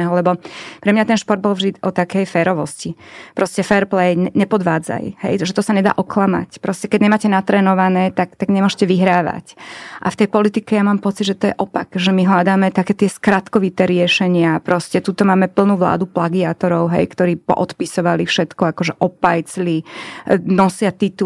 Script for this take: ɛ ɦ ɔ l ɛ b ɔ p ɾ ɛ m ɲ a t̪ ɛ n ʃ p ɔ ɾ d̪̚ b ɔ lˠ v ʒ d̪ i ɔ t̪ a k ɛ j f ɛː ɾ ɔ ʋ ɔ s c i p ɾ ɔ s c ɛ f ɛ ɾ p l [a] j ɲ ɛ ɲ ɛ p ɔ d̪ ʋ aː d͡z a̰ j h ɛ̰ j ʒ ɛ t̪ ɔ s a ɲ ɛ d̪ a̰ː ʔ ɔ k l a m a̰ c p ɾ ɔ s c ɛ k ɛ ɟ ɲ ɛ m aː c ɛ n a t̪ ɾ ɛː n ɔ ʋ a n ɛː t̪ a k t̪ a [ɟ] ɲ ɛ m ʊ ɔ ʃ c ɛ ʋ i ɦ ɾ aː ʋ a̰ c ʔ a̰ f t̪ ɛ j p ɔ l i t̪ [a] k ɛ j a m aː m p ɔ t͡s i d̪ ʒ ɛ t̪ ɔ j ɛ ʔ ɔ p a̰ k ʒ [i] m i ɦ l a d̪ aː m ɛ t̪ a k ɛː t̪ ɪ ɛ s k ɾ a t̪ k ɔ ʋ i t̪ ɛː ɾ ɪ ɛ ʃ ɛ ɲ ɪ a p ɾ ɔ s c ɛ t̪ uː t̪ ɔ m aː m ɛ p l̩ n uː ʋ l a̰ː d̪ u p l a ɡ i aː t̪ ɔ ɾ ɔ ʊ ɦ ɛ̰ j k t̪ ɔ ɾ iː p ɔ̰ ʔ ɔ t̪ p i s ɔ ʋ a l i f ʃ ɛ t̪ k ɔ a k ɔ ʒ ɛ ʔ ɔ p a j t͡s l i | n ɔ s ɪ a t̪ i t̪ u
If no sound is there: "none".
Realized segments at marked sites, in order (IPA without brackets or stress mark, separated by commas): ɛ, ɡ, i, ɛ